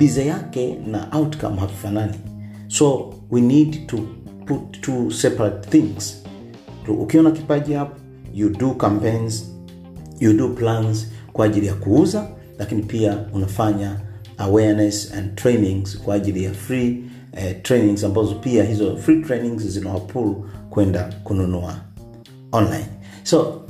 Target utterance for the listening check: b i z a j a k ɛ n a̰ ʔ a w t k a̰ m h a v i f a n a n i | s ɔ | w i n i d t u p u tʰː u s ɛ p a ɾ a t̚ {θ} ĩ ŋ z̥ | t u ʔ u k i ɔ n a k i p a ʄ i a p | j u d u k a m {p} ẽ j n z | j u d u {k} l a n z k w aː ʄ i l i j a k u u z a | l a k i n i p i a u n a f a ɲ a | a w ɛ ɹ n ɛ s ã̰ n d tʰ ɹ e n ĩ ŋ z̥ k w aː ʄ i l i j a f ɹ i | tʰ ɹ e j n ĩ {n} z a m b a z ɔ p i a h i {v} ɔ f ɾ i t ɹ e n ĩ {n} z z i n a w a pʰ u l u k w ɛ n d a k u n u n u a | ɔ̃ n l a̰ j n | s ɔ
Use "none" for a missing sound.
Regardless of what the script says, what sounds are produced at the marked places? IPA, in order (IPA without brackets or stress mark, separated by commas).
θ, p, p, ŋ, z, ŋ